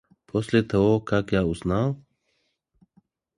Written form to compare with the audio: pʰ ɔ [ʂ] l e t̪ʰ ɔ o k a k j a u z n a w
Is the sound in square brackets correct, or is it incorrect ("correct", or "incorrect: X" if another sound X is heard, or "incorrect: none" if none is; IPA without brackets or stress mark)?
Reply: incorrect: s